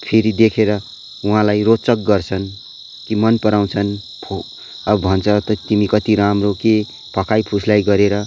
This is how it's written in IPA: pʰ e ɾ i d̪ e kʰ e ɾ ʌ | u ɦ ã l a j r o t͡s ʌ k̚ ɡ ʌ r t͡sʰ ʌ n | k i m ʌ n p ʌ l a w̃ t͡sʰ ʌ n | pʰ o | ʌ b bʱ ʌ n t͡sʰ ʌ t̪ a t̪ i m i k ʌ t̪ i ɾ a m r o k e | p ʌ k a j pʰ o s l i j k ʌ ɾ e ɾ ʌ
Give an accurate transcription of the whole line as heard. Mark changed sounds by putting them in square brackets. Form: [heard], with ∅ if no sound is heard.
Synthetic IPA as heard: pʰ e ɾ i d̪ e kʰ e ɾ ʌ | u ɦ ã l a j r o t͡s ʌ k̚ ɡ ʌ r t͡sʰ ʌ n | k i m ʌ n p ʌ [ɾ] a w̃ t͡sʰ ʌ n | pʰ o | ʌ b bʱ ʌ n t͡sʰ ʌ t̪ [ʌ] t̪ i m i k ʌ t̪ i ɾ a m r o k e | p ʌ k a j pʰ [u] s l [a] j [ɡ] ʌ ɾ e ɾ ʌ

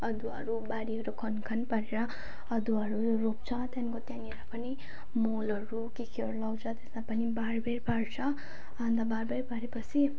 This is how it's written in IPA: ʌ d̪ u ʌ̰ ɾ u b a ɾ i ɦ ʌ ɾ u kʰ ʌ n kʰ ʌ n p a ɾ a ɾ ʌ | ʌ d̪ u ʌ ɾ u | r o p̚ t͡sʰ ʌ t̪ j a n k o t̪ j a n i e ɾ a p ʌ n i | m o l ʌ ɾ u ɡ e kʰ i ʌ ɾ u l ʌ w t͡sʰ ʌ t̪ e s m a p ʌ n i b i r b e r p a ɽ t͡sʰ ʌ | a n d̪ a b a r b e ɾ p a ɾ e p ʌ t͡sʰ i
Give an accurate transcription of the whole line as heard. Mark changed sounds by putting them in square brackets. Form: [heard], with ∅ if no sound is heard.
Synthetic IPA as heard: ʌ d̪ u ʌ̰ ɾ u b a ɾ i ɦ ʌ ɾ u kʰ ʌ n kʰ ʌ n p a ɾ [e] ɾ ʌ | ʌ d̪ u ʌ ɾ u | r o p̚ t͡sʰ ʌ t̪ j a n k o t̪ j a n i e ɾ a p ʌ n i | m o l ʌ ɾ u [k] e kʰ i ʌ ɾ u l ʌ w t͡sʰ ʌ t̪ e s m a p ʌ n i b [a] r b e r p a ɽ t͡sʰ ʌ | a n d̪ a b a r b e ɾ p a ɾ e p ʌ t͡sʰ i

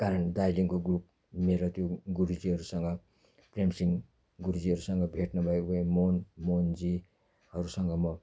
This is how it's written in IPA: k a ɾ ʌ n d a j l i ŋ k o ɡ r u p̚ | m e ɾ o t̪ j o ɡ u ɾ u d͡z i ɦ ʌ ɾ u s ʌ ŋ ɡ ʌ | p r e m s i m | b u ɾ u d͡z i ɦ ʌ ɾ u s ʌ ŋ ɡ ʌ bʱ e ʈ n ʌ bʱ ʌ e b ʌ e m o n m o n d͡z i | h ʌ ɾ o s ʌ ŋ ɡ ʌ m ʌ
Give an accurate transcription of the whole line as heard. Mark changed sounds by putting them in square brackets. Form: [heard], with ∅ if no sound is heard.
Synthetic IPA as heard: k a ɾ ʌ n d a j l i ŋ k o ɡ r u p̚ | m e ɾ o t̪ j o ɡ u ɾ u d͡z i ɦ ʌ ɾ u s ʌ ŋ ɡ ʌ | p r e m s i [ŋ] | [ɡ] u ɾ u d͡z i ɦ ʌ ɾ u s ʌ ŋ ɡ ʌ bʱ e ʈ n ʌ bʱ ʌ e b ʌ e m o n m o n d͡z i | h ʌ ɾ [u] s ʌ ŋ ɡ ʌ m ʌ

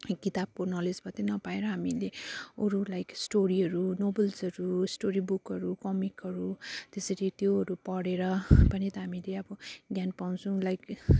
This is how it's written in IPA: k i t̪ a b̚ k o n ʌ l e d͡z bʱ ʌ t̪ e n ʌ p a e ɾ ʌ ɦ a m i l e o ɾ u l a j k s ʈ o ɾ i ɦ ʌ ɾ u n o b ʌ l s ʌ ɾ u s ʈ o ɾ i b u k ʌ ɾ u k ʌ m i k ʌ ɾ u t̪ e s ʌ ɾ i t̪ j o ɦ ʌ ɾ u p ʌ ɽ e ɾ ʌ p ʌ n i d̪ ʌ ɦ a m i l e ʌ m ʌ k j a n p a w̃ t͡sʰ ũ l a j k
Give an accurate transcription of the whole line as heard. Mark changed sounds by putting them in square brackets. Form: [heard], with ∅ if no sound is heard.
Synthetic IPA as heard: k i t̪ a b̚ k o n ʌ l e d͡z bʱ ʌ t̪ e n ʌ p a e ɾ ʌ ɦ a m i l e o ɾ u l a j k s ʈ o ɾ i ɦ ʌ ɾ u n o b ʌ l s ʌ ɾ u s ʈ o ɾ i b u k ʌ ɾ u k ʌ m i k ʌ ɾ u t̪ e s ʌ ɾ i t̪ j o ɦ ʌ ɾ u p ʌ ɽ e ɾ ʌ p ʌ n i [t̪] ʌ ɦ a m i l e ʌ [b] ʌ [ɡ] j a n p a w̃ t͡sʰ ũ l a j k

